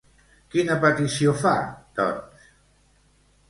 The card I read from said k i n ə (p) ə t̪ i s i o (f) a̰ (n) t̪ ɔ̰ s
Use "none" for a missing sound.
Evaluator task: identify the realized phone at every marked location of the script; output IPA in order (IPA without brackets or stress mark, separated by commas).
p, f, none